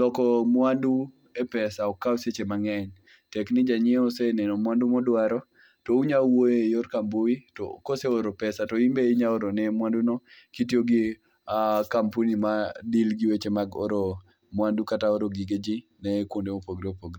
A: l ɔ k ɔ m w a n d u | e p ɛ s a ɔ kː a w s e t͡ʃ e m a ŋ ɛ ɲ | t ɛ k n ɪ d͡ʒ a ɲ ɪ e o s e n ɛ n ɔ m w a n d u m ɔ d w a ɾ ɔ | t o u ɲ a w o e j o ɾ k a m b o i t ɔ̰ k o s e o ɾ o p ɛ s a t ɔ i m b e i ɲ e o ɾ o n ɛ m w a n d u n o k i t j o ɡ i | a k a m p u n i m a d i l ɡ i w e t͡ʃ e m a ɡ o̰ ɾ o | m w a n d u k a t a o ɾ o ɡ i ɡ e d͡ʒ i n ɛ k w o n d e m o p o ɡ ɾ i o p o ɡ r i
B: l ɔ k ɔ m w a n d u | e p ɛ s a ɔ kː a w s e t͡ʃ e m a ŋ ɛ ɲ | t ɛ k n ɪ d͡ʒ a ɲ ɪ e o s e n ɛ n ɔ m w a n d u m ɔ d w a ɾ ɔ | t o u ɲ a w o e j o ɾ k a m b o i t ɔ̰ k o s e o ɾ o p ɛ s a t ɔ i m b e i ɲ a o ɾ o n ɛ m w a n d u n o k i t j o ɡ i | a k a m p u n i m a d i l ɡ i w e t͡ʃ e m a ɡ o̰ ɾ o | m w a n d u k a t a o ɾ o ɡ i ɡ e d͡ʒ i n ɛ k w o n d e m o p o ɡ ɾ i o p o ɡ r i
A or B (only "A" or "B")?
B